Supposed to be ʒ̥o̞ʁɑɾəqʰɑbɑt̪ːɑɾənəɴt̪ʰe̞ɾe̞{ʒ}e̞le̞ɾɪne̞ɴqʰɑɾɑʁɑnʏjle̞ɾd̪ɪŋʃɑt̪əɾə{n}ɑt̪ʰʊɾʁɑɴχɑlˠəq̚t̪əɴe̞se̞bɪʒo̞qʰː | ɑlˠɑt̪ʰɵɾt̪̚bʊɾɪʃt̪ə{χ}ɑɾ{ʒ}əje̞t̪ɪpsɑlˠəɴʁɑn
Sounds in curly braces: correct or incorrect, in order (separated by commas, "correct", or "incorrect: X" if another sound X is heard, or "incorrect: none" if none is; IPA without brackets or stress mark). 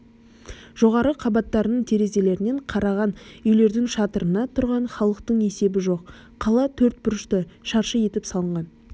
incorrect: z, correct, incorrect: ʃ, incorrect: ʃ